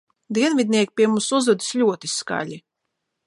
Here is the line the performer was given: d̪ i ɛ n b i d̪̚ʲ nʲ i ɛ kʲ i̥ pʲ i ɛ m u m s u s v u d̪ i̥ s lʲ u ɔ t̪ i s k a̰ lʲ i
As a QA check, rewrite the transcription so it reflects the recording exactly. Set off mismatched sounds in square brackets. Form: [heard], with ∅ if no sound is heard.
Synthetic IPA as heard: d̪ i ɛ n [v] i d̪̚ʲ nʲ i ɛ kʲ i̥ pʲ i ɛ m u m s u [z] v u d̪ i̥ s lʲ u ɔ t̪ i s k a̰ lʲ i

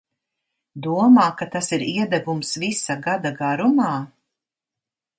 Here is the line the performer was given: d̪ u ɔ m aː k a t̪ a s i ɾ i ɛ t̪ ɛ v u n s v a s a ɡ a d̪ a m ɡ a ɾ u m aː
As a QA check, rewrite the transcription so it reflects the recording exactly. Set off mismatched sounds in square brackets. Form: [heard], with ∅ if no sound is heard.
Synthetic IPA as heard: d̪ u ɔ m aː k a t̪ a s i ɾ i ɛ [d̪] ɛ v u [m] s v [i] s a ɡ a d̪ a [∅] ɡ a ɾ u m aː

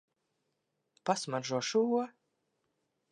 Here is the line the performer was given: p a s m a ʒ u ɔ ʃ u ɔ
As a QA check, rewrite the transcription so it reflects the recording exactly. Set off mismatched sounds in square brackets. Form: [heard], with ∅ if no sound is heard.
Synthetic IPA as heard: p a s m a ʒ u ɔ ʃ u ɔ

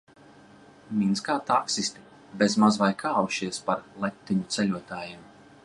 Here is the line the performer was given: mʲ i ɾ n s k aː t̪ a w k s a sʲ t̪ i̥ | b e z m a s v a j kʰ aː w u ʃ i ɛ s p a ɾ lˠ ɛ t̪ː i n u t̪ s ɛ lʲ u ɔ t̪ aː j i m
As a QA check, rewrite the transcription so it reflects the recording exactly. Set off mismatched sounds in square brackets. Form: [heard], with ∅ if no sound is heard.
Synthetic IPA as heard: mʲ i [∅] n s k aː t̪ a [∅] k s [i] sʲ t̪ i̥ | b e z m a [z] v a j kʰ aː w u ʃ i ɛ s p a ɾ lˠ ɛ t̪ː i [ɲ] u t̪ s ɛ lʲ u ɔ t̪ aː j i m

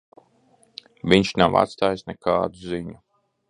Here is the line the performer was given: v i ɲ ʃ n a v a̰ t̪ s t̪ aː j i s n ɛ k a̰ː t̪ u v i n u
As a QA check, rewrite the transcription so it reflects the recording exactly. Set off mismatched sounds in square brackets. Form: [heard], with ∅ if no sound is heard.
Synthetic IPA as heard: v i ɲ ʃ n a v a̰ t̪ s t̪ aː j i s n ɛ k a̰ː [d̪] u [z] i [ɲ] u

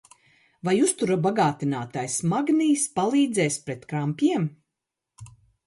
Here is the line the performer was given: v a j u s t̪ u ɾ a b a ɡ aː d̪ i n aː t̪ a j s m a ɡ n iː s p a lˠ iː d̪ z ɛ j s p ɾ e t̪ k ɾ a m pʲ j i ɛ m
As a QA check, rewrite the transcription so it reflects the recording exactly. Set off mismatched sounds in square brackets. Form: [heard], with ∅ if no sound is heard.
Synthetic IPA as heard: v a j u s t̪ u ɾ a b a ɡ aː [t̪] i n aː t̪ a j s m a ɡ n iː s p a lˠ iː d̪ z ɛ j s p ɾ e t̪ k ɾ a m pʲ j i ɛ m

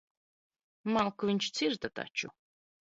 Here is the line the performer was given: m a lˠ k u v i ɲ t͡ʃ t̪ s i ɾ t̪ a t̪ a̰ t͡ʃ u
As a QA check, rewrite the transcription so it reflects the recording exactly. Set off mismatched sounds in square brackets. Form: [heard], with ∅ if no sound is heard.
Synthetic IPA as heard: m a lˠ k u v i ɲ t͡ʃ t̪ s i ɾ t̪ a t̪ a̰ t͡ʃ u

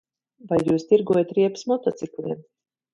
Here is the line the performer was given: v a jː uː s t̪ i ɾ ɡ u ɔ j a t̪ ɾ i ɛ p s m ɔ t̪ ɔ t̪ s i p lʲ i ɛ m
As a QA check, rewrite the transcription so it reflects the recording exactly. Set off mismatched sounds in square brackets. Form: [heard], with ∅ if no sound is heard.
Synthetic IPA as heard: v a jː uː s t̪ i ɾ ɡ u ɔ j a t̪ ɾ i ɛ p s m ɔ t̪ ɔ t̪ s i [k] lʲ i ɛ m

